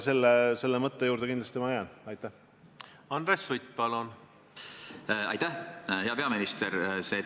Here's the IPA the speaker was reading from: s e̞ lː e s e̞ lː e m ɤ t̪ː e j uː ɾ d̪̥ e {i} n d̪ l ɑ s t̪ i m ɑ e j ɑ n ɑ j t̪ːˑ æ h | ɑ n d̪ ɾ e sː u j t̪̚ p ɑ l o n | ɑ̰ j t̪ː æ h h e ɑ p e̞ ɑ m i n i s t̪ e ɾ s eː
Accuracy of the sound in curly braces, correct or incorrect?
correct